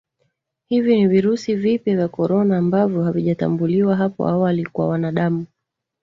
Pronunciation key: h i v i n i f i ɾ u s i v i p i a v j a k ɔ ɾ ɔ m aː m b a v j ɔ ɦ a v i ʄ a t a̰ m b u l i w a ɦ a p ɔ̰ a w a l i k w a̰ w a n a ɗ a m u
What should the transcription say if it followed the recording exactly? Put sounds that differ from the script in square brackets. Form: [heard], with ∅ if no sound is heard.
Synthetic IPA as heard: h i v i n i [v] i ɾ u s i v i p [j] a v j a k ɔ ɾ ɔ [n] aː m b a v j ɔ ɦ a v i ʄ a t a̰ m b u l i w a ɦ a p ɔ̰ a w a l i k w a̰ w a n a ɗ a m u

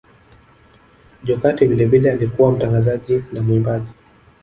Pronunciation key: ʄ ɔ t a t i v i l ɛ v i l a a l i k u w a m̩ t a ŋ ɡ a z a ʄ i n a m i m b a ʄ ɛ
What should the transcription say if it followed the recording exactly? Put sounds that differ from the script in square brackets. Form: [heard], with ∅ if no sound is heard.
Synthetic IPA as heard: ʄ ɔ [k] a t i v i l ɛ v i l [ɛ] a l i k u w a m̩ t a ŋ ɡ a z a ʄ i n a m i m b a ʄ [i]

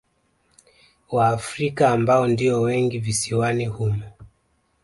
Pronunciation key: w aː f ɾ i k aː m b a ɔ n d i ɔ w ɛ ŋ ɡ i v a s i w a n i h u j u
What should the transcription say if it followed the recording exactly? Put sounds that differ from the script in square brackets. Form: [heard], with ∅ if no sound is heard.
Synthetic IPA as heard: w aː f ɾ i k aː m b a ɔ n d i ɔ w ɛ ŋ ɡ i v [i] s i w a n i h u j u

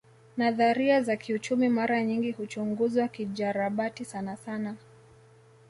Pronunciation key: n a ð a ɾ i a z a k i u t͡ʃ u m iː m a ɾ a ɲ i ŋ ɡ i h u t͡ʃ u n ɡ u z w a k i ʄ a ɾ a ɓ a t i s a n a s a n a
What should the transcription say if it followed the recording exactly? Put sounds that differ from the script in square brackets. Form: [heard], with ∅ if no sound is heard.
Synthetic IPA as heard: n a ð a ɾ i a z a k i u t͡ʃ u m [i] m a ɾ a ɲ i ŋ ɡ i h u t͡ʃ u [ŋ] ɡ u z w a k i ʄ a ɾ a ɓ a t i s a n a s a n a

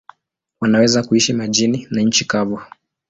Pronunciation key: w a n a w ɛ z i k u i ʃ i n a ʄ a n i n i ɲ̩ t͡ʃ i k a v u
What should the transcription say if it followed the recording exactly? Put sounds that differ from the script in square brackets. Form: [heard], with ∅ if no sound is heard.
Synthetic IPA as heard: w a n a w ɛ z [a] k u i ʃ i [m] a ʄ [i] n i n [a] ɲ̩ t͡ʃ i k a v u

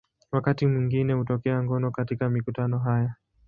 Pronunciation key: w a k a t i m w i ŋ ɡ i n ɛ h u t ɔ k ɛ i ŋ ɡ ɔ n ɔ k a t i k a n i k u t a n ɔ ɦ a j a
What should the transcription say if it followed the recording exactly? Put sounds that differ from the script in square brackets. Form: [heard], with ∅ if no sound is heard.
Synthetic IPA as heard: w a k a t i m w i ŋ ɡ i n ɛ h u t ɔ k ɛ [a] ŋ ɡ ɔ n ɔ k a t i k a [m] i k u t a n ɔ ɦ a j a

